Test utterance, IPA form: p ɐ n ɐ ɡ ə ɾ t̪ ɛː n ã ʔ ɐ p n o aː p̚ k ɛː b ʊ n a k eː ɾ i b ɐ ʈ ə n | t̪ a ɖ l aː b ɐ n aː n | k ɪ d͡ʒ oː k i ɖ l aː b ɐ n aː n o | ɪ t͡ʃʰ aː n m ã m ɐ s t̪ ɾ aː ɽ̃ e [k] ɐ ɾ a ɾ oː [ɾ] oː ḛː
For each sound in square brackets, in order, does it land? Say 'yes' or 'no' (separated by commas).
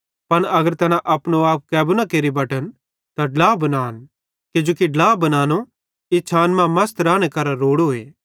yes, no